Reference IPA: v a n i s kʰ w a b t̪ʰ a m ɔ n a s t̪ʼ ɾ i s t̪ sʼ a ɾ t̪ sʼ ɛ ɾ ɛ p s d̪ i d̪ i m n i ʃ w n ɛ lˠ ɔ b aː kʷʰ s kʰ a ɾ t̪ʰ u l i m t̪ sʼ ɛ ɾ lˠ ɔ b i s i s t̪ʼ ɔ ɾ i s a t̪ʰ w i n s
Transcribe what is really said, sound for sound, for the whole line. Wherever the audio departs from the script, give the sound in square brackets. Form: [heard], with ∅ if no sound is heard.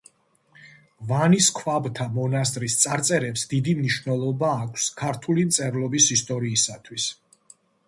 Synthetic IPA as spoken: v a n i s kʰ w a b t̪ʰ a m ɔ n a s t̪ʼ ɾ i s t̪ sʼ a ɾ t̪ sʼ ɛ ɾ ɛ p s d̪ i d̪ i m n i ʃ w n ɛ lˠ ɔ b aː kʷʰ s kʰ a ɾ t̪ʰ u l i m t̪ sʼ ɛ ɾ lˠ ɔ b i s i s t̪ʼ ɔ ɾ [iː] s a t̪ʰ w i [∅] s

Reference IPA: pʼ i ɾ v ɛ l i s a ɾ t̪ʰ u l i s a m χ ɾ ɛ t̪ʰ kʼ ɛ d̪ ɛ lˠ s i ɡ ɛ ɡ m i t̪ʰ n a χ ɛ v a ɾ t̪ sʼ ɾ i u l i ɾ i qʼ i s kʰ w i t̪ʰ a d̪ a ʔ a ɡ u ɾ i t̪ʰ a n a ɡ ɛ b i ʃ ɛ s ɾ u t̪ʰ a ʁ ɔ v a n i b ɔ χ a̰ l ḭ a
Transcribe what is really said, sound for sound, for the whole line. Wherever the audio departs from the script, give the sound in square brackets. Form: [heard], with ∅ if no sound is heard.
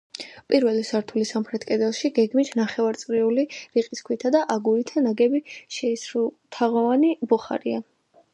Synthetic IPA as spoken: pʼ i ɾ v ɛ l i s a ɾ t̪ʰ u l i s a m χ ɾ ɛ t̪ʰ kʼ ɛ d̪ ɛ lˠ [ʃ] i ɡ ɛ ɡ m i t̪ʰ n a χ ɛ v a ɾ t̪ sʼ ɾ i u l i ɾ i qʼ i s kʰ w i t̪ʰ a d̪ a ʔ a ɡ u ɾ i t̪ʰ a n a ɡ ɛ b i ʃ ɛ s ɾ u t̪ʰ a ʁ ɔ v a n i b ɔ χ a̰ [ɾ] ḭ a

